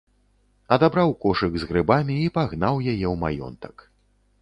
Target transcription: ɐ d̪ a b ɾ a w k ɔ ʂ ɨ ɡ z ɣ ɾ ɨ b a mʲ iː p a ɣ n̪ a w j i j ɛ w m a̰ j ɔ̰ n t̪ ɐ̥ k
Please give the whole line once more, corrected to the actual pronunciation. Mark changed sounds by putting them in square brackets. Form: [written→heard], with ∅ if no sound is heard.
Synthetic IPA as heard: ɐ d̪ a b ɾ a w k ɔ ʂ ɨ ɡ z ɣ ɾ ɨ b a mʲ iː p a ɣ n̪ a w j [i→a] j ɛ w m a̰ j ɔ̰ n t̪ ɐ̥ k